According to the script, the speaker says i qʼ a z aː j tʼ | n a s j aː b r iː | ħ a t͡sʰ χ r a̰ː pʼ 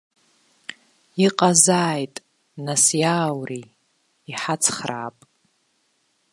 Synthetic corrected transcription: i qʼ a z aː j tʼ | n a s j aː w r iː | ħ a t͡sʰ χ r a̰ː pʼ

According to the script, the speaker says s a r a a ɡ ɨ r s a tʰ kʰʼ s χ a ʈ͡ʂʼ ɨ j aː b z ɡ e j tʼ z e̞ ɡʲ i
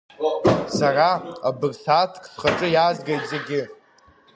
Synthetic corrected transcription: s a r a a b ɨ r s a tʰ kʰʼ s χ a ʈ͡ʂʼ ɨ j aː z ɡ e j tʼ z e̞ ɡʲ ɪ

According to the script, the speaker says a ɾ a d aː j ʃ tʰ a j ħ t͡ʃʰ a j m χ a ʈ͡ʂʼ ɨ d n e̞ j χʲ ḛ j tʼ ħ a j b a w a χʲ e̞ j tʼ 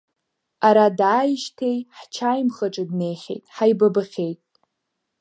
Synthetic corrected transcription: a ɾ a d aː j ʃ tʰ e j ħ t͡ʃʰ a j m χ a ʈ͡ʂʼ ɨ d n e̞ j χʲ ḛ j tʼ ħ a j b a b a χʲ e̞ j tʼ

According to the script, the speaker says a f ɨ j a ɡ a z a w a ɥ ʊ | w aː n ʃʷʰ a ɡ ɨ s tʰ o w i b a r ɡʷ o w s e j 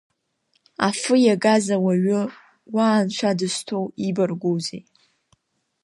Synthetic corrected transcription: a f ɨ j a ɡ a z a w a ɥ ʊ | w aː n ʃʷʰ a d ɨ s tʰ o w i b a r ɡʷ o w z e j

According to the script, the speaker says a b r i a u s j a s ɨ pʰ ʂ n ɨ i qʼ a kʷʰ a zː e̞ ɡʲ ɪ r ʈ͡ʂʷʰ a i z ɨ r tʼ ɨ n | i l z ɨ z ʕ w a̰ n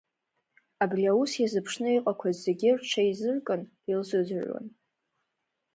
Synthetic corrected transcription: a b r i a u s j a z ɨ pʰ ʂ n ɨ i qʼ a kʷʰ a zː e̞ ɡʲ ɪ r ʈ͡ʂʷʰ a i z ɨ r kʼ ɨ n | i l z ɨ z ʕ w a̰ n

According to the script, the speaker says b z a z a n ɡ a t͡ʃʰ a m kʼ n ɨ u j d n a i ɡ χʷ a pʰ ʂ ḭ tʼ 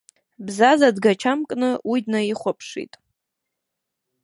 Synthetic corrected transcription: b z a z a d ɡ a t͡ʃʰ a m kʼ n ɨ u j d n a i χʷ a pʰ ʂ ḭ tʼ

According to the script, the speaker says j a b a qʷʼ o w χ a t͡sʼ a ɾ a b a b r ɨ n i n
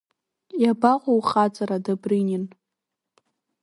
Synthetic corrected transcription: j a b a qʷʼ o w χ a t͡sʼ a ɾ a d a b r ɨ n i n

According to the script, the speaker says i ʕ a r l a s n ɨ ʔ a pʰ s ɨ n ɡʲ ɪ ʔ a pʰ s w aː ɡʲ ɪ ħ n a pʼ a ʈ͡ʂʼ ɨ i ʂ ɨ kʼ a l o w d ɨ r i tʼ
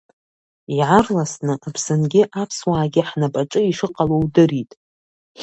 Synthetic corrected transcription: i ʕ a r l a s n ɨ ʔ a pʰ s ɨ n ɡʲ ɪ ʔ a pʰ s w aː ɡʲ ɪ ħ n a pʼ a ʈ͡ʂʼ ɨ i ʂ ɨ qʼ a l o w d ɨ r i tʼ

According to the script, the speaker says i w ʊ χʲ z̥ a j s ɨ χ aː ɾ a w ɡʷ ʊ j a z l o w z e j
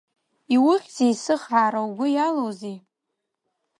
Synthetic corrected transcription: i w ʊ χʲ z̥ e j s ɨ χ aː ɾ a w ɡʷ ʊ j a l o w z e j

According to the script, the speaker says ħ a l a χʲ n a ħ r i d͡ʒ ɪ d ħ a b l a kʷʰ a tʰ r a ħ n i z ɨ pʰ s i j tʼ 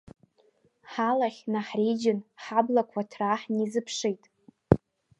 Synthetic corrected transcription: ħ a l a χʲ n a ħ r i d͡ʒ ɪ n ħ a b l a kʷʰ a tʰ r a ħ n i z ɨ pʰ ʂ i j tʼ

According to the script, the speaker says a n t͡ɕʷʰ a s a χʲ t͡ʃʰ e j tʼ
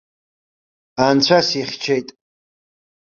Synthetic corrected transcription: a n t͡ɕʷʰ a s i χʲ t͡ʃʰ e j tʼ

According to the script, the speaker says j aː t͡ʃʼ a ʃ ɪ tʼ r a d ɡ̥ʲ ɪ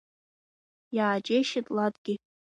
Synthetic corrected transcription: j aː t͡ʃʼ e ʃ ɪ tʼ l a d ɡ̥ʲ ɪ

